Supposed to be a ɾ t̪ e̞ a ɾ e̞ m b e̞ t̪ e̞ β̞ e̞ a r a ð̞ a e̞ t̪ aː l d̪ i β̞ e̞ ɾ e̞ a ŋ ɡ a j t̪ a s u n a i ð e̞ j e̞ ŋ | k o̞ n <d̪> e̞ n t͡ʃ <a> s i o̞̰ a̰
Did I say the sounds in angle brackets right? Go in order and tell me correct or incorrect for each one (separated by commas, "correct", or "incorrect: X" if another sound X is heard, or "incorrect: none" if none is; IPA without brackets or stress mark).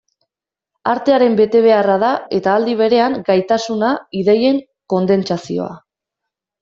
correct, correct